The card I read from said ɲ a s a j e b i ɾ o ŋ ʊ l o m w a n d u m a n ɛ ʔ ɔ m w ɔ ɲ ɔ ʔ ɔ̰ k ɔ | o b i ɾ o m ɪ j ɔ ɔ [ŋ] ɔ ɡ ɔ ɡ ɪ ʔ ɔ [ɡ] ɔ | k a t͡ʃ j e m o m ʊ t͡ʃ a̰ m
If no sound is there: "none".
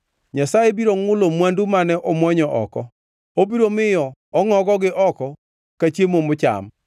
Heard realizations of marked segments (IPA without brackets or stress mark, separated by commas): ŋ, k